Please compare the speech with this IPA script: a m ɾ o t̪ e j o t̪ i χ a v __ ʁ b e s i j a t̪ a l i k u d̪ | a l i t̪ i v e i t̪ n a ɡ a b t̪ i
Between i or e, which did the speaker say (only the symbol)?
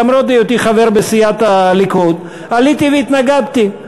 e